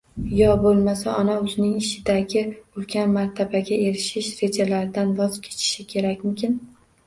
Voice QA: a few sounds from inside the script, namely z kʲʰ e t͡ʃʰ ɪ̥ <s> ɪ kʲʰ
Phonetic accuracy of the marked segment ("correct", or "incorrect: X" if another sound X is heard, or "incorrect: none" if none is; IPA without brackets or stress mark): incorrect: ʃ